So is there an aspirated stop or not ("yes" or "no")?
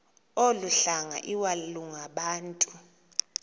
no